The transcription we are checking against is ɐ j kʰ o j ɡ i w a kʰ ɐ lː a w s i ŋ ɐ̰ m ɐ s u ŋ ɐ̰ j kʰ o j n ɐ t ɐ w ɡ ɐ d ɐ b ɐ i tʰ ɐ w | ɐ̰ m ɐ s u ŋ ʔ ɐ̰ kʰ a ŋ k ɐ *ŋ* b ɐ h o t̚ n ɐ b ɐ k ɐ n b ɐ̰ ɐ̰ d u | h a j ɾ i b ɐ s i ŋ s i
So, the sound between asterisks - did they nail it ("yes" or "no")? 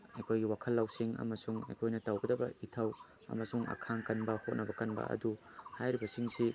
no